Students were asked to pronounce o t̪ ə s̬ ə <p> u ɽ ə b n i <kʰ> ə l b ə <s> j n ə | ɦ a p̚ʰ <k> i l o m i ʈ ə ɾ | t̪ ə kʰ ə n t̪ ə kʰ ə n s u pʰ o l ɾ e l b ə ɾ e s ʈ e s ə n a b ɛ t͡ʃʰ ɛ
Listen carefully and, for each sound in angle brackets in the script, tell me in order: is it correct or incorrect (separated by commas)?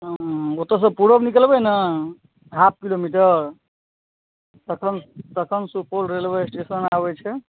correct, incorrect, incorrect, correct